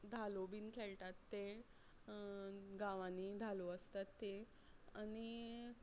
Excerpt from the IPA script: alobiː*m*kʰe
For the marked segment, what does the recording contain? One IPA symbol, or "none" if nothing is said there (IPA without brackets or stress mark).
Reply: n